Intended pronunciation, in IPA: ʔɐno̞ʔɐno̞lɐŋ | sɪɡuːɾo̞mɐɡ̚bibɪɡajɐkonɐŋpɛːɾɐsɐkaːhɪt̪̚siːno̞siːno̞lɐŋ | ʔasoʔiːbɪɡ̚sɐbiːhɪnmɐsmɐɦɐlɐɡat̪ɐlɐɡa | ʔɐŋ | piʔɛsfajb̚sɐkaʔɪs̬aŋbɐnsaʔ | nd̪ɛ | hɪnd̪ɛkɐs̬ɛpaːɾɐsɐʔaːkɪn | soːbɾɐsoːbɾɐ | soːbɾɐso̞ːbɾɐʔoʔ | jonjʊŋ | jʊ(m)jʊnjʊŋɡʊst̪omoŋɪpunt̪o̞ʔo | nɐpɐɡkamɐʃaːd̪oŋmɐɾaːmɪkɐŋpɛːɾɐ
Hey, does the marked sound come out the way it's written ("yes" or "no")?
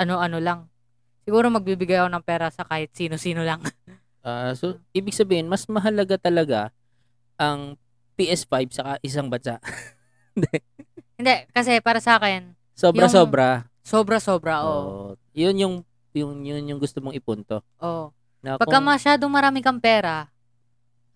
no